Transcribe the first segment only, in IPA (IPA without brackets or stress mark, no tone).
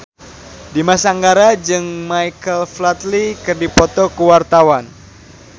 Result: d